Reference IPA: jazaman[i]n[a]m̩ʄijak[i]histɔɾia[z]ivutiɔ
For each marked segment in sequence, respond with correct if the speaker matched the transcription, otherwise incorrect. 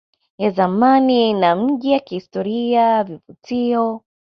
correct, correct, correct, incorrect: v

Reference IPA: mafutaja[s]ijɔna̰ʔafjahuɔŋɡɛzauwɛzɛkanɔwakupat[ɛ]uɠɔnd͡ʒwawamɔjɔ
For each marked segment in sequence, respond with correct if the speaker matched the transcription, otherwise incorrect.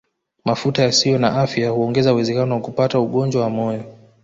correct, incorrect: a

